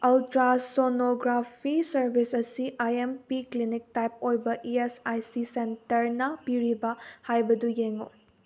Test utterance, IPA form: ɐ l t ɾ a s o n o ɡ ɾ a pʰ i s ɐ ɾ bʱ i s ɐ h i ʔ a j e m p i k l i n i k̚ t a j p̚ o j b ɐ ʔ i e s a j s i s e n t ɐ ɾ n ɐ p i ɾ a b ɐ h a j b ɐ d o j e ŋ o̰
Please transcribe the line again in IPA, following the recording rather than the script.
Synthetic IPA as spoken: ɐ l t ɾ a s o n o ɡ ɾ a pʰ i s ɐ ɾ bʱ i s ɐ s i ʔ a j e m p i k l i n i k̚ t a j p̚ o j b ɐ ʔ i e s a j s i s e n t ɐ ɾ n ɐ p i ɾ i b ɐ h a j b ɐ d u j e ŋ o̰